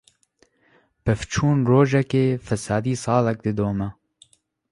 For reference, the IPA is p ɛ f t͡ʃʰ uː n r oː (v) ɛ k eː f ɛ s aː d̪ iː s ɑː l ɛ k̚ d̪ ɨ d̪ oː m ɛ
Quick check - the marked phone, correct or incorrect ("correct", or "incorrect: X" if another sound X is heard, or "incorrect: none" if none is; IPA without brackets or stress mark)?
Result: incorrect: ʒ